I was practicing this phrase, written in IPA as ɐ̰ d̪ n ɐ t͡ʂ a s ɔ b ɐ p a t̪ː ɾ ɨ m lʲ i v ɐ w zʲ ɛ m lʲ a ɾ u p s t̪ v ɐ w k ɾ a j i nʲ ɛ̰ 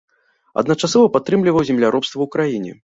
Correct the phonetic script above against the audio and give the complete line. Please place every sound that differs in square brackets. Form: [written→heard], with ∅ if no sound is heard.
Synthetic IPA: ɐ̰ d̪ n ɐ t͡ʂ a s ɔ [b→v] ɐ p a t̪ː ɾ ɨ m lʲ i v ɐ w zʲ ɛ m lʲ a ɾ [u→ɔ] p s t̪ v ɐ w k ɾ a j i nʲ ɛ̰